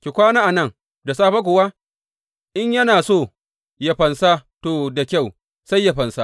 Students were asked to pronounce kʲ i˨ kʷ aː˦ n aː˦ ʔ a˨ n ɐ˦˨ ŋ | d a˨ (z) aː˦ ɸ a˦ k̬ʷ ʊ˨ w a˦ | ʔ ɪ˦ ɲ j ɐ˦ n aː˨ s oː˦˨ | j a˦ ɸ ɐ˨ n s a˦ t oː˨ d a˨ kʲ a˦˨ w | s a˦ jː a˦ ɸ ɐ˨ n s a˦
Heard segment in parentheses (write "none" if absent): s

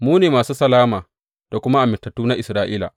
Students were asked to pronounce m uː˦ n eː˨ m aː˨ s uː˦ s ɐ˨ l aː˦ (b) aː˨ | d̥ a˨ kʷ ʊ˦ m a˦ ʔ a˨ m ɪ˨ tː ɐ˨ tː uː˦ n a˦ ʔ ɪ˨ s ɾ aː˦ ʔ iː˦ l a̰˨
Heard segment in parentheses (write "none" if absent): m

